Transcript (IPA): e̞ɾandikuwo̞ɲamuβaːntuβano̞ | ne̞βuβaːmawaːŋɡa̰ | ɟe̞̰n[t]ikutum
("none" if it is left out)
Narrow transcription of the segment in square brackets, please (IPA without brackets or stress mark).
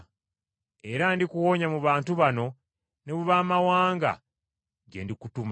d